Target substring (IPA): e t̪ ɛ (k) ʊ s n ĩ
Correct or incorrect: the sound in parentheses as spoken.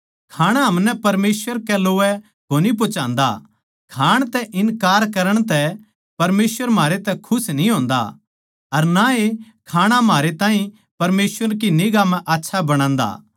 incorrect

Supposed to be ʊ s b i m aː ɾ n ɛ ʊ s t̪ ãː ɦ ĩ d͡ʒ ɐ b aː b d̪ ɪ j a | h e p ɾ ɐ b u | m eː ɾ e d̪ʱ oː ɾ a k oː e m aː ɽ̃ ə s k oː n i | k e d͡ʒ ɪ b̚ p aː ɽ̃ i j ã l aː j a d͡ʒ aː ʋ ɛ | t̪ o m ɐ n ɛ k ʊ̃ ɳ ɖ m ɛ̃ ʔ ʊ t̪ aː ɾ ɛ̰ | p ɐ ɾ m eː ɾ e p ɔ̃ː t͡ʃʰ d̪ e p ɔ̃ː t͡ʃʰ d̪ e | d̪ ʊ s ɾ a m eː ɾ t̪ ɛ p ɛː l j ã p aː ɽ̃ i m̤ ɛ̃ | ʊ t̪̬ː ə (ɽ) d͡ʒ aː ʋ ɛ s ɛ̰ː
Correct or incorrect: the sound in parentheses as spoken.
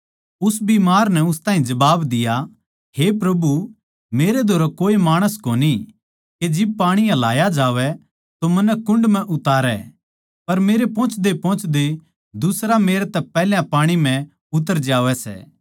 incorrect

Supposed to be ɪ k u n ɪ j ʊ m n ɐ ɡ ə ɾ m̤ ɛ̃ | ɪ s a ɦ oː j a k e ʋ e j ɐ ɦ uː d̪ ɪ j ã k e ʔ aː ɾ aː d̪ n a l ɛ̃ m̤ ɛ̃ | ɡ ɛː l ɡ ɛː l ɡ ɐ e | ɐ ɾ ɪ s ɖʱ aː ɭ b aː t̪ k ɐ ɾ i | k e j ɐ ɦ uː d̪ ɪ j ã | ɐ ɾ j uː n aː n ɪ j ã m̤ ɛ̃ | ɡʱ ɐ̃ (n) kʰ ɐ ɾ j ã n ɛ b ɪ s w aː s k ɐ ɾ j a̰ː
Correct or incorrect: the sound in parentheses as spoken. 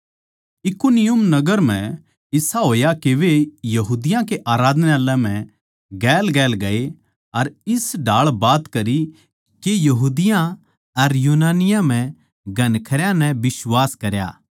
correct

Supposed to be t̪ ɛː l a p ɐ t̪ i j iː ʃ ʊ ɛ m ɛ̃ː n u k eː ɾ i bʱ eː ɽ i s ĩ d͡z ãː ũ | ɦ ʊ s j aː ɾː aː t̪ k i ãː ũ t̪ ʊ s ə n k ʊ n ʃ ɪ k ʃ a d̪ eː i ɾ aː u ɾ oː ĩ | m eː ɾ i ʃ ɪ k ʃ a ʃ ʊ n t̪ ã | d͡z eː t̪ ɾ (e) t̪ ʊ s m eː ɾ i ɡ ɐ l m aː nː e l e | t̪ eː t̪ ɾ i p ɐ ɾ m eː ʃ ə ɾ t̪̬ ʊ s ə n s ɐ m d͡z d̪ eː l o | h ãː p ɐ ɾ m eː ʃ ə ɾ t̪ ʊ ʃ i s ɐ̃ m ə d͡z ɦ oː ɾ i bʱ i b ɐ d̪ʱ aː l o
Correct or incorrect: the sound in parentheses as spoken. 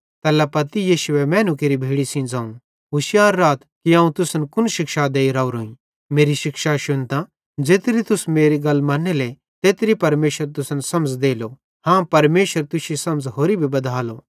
incorrect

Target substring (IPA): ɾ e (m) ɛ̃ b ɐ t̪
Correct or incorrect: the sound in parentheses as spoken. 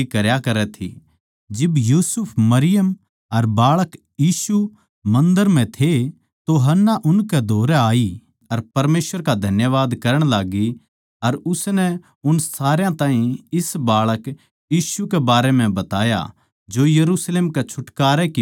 correct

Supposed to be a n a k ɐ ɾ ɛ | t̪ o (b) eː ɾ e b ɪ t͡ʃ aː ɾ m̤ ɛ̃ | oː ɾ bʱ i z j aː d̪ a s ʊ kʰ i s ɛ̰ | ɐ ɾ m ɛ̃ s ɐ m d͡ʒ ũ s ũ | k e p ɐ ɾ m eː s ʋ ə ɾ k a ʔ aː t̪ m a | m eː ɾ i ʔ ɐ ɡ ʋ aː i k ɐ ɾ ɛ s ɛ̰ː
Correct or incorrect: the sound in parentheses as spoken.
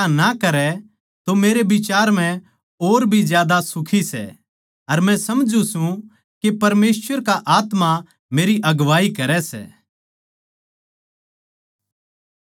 incorrect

